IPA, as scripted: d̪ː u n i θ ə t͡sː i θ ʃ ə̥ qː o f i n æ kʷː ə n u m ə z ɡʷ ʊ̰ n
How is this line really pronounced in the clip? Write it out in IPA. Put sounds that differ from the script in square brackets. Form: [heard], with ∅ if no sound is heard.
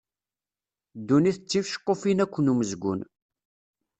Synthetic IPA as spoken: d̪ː u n i θ ə t͡sː i [f] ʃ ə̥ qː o f i n æ kʷː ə n u m ə z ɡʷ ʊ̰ n